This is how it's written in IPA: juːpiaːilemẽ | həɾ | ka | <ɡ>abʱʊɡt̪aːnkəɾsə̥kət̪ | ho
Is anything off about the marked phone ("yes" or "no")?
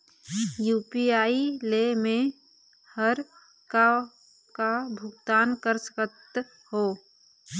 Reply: yes